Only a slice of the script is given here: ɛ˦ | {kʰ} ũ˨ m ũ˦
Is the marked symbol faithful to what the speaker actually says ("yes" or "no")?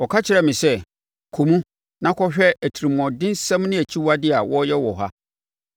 yes